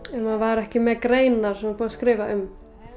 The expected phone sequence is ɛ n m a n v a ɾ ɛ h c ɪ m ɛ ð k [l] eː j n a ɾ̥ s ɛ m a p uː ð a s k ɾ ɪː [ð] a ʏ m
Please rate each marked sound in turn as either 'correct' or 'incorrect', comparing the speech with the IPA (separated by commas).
incorrect, incorrect